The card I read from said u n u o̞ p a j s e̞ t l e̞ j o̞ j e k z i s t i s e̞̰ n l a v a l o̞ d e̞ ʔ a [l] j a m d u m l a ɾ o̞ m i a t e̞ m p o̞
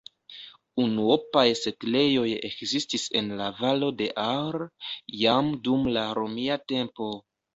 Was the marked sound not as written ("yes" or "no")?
yes